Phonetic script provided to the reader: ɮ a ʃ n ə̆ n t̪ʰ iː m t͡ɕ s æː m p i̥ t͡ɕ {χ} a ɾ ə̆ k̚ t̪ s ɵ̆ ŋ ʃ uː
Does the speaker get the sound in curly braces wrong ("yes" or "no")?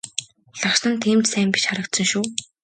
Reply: no